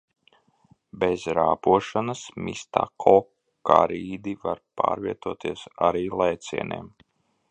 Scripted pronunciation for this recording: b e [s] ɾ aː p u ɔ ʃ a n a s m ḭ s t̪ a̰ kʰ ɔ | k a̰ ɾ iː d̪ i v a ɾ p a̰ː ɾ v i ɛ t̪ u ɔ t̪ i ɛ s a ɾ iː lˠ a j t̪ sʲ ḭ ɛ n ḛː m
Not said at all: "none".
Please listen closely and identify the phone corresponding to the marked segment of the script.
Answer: z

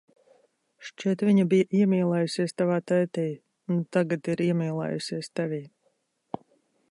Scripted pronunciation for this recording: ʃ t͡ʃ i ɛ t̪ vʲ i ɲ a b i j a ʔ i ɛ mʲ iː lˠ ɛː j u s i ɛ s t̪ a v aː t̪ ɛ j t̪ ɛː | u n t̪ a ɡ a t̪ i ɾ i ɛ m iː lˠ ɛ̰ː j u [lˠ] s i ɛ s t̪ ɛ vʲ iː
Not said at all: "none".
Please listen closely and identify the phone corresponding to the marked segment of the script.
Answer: none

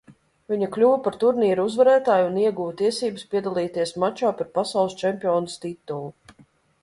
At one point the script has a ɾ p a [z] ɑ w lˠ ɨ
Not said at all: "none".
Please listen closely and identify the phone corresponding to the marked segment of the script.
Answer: s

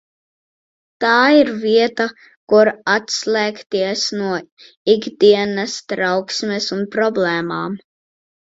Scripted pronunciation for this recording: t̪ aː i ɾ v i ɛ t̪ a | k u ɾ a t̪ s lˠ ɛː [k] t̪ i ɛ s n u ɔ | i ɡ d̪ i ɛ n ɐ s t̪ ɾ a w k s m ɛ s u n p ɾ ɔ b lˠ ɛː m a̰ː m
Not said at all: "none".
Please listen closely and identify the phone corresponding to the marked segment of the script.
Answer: k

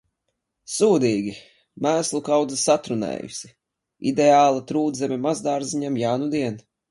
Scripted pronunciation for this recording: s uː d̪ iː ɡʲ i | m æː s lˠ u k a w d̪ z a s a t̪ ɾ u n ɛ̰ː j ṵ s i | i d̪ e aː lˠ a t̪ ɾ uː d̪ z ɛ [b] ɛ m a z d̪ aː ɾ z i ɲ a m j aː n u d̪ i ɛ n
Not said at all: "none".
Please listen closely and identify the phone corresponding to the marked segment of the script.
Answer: m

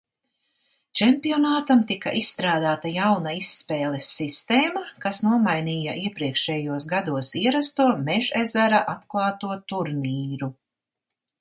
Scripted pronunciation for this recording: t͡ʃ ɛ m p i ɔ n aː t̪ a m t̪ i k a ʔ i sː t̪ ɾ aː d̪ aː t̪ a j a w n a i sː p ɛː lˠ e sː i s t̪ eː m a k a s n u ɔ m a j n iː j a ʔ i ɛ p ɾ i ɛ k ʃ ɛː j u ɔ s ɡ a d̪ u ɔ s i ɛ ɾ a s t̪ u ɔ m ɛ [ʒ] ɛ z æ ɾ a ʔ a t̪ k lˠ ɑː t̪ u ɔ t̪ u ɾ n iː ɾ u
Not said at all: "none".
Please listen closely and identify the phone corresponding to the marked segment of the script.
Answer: ʒ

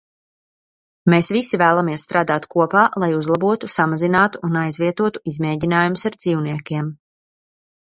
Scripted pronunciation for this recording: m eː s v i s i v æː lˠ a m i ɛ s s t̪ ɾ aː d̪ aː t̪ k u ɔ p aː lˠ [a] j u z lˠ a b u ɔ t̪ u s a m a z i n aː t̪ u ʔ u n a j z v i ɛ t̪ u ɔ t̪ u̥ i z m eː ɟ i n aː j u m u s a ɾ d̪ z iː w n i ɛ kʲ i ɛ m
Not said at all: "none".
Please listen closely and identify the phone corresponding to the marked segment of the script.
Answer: a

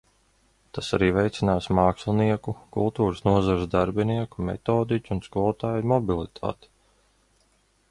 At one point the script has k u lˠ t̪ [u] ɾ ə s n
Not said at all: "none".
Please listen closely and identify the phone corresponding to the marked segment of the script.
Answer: uː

